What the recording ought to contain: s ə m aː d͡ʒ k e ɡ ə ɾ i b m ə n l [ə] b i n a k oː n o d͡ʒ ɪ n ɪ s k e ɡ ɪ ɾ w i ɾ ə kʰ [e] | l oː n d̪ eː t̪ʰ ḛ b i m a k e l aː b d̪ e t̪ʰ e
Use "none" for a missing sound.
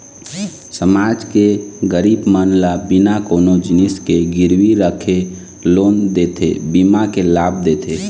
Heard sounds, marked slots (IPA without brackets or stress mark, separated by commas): a, e